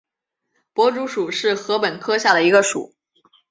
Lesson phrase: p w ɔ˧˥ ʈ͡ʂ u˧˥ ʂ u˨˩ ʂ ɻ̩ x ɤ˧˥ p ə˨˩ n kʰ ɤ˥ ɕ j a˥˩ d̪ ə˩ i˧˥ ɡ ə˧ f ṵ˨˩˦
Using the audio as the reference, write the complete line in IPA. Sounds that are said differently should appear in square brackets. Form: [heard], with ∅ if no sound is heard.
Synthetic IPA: p w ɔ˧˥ ʈ͡ʂ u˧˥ ʂ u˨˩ ʂ ɻ̩ x ɤ˧˥ p ə˨˩ n kʰ ɤ˥ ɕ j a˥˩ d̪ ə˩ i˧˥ ɡ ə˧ [ʂ] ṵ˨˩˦